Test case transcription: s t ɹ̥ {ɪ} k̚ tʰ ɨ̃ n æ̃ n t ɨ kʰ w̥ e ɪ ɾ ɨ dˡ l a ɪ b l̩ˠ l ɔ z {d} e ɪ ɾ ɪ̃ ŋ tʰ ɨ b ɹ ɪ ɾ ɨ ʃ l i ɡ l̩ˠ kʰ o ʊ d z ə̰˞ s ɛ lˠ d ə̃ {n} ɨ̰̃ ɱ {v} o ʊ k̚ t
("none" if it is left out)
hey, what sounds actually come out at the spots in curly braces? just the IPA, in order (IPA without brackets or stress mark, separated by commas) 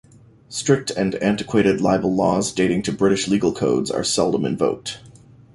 ɪ, d, m, v